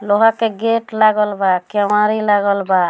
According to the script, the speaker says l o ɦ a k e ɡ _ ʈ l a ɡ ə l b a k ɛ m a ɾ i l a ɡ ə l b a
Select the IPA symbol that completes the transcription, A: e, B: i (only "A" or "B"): A